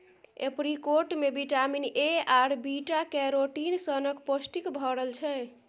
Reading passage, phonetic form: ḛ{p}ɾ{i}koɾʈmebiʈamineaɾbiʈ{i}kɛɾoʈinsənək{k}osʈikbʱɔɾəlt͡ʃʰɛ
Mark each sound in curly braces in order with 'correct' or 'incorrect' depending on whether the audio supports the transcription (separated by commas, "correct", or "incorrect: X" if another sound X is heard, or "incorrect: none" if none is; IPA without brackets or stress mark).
correct, correct, incorrect: a, incorrect: p